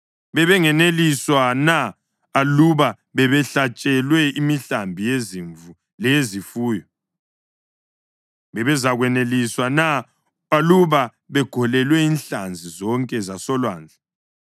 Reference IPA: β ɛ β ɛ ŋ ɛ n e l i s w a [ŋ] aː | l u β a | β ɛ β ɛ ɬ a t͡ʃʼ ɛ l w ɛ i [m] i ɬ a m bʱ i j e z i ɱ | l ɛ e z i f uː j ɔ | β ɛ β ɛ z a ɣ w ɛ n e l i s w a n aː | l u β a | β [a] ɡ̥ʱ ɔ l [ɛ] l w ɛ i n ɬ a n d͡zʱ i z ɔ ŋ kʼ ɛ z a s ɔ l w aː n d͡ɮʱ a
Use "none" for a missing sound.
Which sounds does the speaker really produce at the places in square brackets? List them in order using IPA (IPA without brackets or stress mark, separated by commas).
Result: n, m, ɛ, ɛ